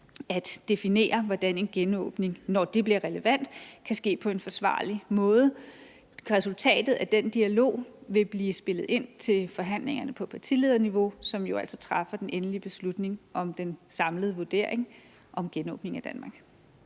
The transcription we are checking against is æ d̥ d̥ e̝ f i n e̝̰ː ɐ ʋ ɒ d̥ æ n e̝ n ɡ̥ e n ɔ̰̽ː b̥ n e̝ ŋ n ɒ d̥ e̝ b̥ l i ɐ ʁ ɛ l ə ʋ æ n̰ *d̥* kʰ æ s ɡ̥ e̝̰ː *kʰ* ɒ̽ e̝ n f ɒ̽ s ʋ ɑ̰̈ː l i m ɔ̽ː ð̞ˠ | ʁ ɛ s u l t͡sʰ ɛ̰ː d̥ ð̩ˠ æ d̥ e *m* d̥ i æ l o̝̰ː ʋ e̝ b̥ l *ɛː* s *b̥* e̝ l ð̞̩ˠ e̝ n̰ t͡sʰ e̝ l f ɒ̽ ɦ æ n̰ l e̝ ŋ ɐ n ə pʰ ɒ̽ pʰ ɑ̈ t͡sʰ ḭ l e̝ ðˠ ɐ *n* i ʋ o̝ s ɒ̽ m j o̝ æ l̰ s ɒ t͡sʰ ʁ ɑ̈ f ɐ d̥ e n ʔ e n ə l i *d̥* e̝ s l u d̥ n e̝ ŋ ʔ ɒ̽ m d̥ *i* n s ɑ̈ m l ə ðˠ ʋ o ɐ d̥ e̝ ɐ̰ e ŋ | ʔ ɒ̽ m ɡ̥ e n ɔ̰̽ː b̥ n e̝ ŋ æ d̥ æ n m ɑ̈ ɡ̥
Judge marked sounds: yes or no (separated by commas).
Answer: yes, no, no, no, yes, yes, no, no